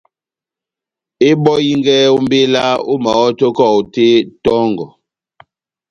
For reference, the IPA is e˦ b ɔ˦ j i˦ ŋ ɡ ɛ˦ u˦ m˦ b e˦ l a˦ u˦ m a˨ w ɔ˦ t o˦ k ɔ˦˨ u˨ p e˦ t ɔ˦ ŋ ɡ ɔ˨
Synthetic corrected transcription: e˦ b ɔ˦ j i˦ ŋ ɡ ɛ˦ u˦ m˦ b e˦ l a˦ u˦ m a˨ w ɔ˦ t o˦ k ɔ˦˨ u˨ t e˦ t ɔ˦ ŋ ɡ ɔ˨